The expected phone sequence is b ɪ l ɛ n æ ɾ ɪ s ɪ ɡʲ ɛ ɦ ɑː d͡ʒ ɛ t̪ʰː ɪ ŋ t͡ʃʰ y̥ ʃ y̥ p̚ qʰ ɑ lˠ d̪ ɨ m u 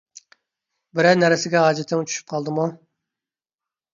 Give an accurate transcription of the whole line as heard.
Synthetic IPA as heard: b ɪ ɾ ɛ n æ ɾ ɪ s ɪ ɡʲ ɛ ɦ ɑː d͡ʒ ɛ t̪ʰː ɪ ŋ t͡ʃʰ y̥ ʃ y̥ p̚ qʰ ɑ lˠ d̪ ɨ m u

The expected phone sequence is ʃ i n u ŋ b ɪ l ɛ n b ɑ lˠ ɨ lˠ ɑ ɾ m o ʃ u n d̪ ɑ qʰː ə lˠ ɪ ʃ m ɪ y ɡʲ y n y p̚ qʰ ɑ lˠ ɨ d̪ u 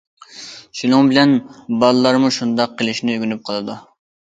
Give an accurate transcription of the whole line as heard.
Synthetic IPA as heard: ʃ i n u ŋ b ɪ l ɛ n b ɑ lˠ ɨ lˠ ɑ ɾ m u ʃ u n d̪ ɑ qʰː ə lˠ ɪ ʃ n ɪ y ɡʲ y n y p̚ qʰ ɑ lˠ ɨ d̪ u

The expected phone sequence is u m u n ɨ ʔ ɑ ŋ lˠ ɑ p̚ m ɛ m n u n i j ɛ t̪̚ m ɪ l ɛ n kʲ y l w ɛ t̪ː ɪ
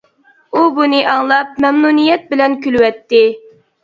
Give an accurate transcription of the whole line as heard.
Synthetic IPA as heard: u b u n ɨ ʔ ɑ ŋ lˠ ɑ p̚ m ɛ m n u n i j ɛ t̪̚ b ɪ l ɛ n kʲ y l w ɛ t̪ː ɪ

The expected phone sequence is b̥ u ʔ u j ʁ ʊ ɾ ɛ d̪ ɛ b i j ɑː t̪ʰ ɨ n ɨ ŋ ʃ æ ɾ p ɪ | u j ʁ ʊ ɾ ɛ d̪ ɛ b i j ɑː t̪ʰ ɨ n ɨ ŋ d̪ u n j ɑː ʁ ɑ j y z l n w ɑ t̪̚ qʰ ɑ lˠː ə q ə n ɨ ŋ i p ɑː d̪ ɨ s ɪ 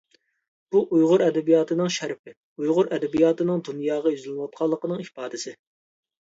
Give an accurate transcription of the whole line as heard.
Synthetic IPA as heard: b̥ u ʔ u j ʁ ʊ ɾ ɛ d̪ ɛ b i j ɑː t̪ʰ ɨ n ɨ ŋ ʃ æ ɾ p ɪ | u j ʁ ʊ ɾ ɛ d̪ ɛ b i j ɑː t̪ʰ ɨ n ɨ ŋ d̪ u n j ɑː ʁ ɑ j y z l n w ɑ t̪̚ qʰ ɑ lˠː ə q ə n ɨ ŋ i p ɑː d̪ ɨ s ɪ

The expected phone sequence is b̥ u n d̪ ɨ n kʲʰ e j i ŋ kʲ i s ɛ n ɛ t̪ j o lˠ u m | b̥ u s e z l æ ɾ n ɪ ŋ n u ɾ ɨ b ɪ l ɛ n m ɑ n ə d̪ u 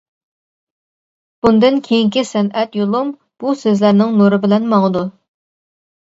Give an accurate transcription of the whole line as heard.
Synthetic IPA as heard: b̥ u n d̪ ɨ n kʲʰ e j i ŋ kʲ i s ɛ n ɛ t̪ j o lˠ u m | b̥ u s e z l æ ɾ n ɪ ŋ n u ɾ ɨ b ɪ l ɛ n m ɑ ŋ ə d̪ u

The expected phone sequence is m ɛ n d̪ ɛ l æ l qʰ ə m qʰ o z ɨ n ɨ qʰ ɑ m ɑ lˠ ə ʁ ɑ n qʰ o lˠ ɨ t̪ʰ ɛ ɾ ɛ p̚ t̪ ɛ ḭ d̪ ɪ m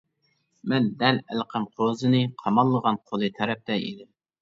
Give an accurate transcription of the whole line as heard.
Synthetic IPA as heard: m ɛ n d̪ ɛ l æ l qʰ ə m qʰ o z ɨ n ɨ qʰ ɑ m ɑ lˠː ə ʁ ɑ n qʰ o lˠ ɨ t̪ʰ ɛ ɾ ɛ p̚ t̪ ɛ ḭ d̪ ɪ m

